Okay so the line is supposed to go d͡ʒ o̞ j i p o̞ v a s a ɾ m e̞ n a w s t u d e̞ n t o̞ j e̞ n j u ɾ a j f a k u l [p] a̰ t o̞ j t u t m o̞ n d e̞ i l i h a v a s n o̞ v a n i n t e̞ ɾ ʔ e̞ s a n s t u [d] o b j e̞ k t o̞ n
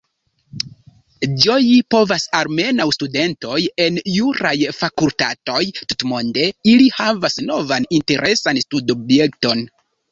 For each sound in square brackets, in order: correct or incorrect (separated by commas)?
incorrect, correct